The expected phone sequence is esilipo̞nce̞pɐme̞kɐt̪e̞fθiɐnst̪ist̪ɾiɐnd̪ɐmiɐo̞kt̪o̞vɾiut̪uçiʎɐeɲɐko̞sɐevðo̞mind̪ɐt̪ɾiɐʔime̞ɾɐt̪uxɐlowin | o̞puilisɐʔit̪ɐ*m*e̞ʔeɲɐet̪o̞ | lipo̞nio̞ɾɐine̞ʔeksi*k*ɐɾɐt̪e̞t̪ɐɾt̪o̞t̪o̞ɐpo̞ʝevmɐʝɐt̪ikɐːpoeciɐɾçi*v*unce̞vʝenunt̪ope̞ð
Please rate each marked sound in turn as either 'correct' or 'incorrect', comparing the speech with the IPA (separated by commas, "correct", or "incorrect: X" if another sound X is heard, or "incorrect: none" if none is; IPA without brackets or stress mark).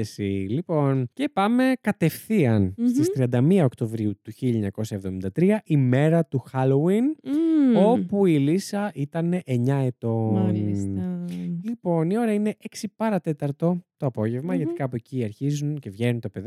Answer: incorrect: n, incorrect: p, incorrect: z